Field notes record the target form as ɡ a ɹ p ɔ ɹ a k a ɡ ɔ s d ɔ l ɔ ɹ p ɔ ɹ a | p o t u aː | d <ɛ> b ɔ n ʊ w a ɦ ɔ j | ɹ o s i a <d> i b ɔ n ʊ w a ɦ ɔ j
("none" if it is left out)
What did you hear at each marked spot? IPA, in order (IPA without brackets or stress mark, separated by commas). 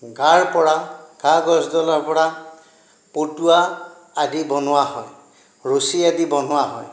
i, d